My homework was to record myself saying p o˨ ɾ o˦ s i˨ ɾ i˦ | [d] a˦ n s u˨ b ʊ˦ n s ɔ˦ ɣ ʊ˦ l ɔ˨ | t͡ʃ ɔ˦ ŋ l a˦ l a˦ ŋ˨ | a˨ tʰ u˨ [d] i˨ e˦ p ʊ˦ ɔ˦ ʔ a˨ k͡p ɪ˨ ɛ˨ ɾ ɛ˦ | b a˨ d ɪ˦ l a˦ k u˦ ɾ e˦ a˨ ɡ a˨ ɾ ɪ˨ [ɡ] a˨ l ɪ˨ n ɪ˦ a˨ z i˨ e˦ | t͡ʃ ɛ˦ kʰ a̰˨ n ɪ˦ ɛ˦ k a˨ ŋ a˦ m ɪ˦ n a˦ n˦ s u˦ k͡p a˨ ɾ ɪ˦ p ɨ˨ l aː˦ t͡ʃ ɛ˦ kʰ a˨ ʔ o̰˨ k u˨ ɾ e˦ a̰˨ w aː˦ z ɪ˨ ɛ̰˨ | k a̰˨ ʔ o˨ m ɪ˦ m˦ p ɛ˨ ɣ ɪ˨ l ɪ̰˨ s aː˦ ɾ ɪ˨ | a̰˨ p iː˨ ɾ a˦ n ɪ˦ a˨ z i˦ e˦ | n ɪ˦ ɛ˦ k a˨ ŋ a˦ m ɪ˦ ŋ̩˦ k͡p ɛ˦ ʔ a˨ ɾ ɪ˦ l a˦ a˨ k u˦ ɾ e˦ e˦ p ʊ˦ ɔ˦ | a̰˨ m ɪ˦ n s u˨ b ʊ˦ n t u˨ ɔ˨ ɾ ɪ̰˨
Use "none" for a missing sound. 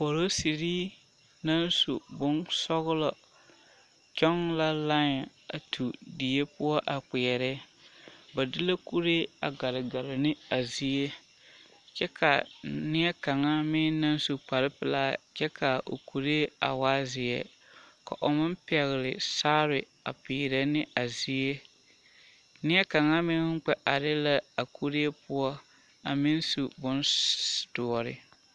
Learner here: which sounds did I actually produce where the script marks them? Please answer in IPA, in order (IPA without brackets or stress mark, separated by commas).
n, d, ɡ